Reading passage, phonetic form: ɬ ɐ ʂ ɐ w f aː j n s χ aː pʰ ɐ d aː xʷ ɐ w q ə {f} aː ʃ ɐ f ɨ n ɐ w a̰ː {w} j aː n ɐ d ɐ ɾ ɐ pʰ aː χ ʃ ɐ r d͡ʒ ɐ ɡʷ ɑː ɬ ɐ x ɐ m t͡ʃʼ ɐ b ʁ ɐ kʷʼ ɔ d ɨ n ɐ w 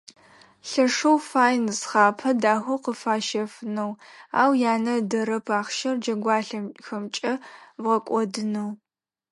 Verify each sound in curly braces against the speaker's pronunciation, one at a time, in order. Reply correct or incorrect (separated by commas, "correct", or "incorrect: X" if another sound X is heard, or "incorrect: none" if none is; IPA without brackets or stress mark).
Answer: correct, correct